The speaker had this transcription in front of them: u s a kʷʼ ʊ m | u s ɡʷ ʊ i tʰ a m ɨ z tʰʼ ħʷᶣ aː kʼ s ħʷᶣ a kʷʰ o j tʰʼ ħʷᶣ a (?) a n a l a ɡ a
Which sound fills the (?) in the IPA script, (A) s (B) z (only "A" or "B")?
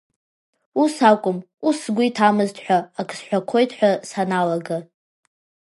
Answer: A